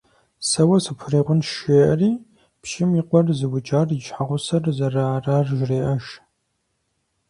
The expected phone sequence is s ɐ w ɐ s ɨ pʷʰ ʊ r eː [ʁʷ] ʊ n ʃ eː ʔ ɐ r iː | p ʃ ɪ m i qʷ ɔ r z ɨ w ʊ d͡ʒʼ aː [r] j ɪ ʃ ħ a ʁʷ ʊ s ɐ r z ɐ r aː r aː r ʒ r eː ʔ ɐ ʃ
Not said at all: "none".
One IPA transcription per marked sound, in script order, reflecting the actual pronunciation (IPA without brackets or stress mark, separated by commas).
ʁʷ, r